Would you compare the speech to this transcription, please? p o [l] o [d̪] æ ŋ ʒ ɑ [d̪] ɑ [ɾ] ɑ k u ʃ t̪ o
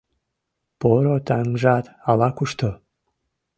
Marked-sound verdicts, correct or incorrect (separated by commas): incorrect, incorrect, incorrect, incorrect